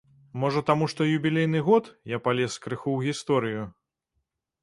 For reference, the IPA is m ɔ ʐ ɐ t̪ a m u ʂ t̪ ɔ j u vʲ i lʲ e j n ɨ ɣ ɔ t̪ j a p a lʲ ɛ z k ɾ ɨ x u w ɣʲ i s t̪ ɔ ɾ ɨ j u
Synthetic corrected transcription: m ɔ ʐ ɐ t̪ a m u ʂ t̪ ɔ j u bʲ i lʲ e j n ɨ ɣ ɔ t̪ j a p a lʲ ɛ s k ɾ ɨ x u w ɣʲ i s t̪ ɔ ɾ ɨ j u